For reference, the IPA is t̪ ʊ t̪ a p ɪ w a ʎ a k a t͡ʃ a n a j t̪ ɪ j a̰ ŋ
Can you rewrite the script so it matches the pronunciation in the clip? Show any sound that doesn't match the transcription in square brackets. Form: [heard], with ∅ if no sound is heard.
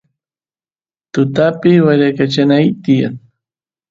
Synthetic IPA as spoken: t̪ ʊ t̪ a p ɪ w a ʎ a k a t͡ʃ a n a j t̪ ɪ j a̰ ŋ